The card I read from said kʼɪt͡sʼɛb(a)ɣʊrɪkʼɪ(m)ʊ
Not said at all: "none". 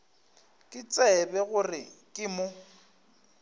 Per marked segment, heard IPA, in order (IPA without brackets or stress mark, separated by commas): ɛ, m